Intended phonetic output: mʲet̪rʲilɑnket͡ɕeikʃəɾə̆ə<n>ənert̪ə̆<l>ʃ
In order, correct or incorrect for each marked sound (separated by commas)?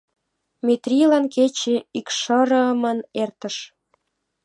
incorrect, incorrect